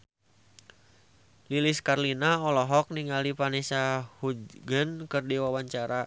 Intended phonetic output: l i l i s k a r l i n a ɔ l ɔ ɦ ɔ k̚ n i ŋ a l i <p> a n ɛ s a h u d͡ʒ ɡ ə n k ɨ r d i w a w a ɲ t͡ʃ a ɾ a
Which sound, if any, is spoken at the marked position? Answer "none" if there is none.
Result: p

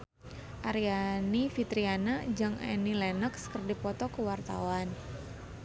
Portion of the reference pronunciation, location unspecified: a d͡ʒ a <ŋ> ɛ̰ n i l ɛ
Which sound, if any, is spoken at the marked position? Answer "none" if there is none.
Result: ŋ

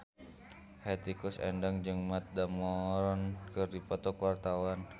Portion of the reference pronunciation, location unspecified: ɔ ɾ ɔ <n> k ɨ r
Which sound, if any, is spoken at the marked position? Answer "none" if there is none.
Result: n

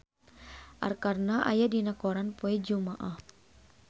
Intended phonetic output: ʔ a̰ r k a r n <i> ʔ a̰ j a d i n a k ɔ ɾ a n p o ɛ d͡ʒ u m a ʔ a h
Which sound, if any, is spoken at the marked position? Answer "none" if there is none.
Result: a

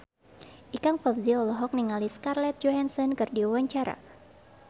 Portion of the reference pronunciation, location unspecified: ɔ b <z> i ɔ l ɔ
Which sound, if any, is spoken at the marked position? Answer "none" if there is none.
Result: z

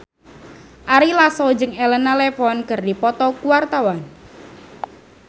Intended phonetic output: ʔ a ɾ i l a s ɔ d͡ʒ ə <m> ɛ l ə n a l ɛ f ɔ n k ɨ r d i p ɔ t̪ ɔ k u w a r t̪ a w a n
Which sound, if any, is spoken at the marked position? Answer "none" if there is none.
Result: ŋ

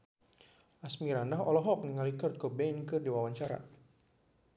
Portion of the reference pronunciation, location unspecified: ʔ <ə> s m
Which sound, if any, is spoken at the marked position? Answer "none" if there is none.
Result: a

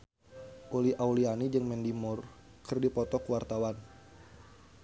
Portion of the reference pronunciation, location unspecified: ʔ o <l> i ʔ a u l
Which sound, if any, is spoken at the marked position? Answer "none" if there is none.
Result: l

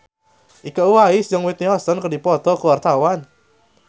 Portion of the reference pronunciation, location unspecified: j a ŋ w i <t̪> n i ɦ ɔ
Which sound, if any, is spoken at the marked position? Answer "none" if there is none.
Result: t̪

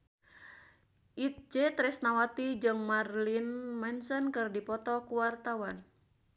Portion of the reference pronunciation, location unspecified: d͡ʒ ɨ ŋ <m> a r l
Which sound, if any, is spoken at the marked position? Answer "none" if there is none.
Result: m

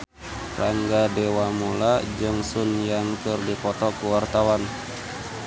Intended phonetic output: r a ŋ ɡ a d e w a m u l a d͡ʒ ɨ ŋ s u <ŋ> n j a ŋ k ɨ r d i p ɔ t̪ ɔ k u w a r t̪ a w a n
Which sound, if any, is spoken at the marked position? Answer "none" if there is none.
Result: none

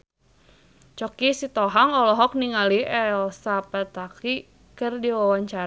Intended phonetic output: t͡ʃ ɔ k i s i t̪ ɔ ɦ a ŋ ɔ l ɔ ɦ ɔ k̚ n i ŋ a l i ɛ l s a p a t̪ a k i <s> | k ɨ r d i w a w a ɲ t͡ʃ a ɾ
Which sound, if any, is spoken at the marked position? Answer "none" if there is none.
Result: none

